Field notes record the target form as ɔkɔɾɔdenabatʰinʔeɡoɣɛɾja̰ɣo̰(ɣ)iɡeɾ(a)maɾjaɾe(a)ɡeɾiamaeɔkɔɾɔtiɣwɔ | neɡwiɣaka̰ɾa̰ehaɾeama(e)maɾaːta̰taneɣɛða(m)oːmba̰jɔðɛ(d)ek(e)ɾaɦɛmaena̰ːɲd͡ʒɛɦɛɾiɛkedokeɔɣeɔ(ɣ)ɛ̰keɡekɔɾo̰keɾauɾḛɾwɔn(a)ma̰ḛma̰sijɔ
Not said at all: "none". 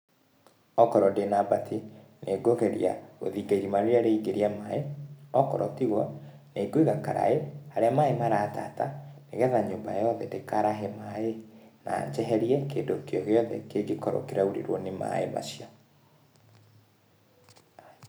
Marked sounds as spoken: ð, i, i, e, ɲ, d, a, ð, e

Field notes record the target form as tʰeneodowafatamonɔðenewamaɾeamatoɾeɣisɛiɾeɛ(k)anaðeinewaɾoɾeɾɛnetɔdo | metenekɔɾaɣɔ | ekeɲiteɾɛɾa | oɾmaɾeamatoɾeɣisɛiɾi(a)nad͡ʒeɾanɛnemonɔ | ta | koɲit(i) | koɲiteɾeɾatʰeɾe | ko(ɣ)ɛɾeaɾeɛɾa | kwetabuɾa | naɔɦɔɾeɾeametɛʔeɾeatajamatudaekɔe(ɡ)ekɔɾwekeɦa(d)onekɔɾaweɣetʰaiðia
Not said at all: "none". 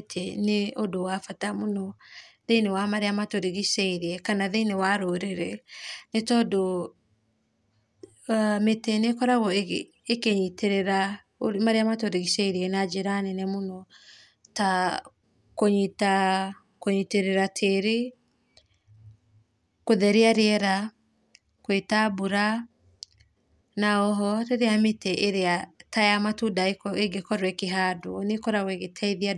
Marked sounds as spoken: k, ɛ, a, ð, ɡ, d

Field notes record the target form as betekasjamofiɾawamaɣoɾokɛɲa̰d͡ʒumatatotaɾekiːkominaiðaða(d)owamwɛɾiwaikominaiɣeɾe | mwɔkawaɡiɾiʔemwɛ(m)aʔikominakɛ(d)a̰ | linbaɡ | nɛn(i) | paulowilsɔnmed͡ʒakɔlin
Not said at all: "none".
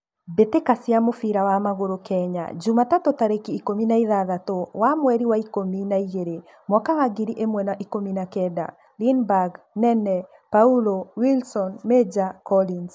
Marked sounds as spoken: t, n, d, ɛ

